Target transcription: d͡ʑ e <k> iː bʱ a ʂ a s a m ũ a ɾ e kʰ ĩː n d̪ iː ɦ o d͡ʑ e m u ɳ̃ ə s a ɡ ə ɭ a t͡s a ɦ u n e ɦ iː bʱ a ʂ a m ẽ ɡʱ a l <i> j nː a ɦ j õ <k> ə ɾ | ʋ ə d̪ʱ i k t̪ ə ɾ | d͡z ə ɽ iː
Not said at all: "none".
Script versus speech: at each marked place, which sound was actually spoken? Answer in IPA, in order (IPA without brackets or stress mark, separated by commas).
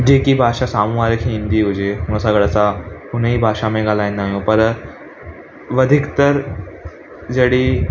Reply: k, a, p